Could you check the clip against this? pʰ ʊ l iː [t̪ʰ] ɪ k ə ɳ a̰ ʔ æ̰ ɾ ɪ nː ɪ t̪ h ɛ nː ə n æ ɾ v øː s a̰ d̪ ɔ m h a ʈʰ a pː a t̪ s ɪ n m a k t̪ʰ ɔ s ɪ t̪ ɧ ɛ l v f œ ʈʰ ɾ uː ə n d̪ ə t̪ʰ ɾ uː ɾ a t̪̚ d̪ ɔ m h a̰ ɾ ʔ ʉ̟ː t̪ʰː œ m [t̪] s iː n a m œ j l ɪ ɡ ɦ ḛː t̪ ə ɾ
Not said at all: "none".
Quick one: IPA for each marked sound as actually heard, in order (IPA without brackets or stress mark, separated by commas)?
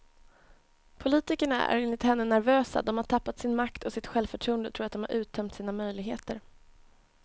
t̪, t̪